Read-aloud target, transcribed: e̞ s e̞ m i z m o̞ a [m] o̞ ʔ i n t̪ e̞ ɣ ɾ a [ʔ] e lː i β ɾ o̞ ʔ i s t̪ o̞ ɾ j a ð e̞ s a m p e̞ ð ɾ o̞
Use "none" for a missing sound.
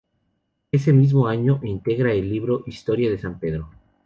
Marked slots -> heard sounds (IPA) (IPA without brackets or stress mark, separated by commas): ɲ, none